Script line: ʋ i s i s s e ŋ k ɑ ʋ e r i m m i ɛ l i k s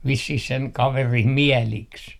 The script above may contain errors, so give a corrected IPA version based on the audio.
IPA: ʋ i sː i h s e ŋ k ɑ ʋ e r i m m i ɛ l i k s